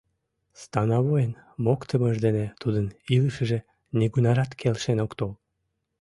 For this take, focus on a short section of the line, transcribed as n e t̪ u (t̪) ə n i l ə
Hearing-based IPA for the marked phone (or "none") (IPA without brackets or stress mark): d̪